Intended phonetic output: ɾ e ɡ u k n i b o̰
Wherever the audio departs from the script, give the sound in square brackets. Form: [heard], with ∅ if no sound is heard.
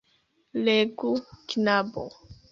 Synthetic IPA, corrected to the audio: [l] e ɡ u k n [a] b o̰

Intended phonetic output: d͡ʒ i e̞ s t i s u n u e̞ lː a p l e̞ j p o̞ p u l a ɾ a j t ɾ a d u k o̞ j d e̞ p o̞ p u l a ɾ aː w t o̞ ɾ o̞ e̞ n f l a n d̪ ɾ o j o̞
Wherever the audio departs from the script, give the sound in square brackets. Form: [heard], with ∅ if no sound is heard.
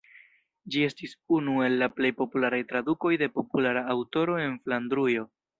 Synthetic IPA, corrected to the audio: d͡ʒ i e̞ s t i s u n u e̞ lː a p l e̞ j p o̞ p u l a ɾ a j t ɾ a d u k o̞ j d e̞ p o̞ p u l a ɾ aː w t o̞ ɾ o̞ e̞ n f l a n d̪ ɾ [u] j o̞

